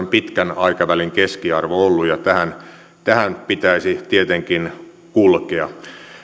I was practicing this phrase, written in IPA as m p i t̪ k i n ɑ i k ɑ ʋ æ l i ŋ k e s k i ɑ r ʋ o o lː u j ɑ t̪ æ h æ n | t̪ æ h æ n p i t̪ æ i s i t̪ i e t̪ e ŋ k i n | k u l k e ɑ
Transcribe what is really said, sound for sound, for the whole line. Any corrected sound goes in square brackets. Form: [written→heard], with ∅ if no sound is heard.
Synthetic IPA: m p i t̪ k [i→æ] n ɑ i k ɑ ʋ æ l i ŋ k e s k i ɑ r ʋ o o lː u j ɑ t̪ æ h æ n | t̪ æ h æ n p i t̪ æ i s i t̪ i e t̪ e ŋ k i n | k u l k e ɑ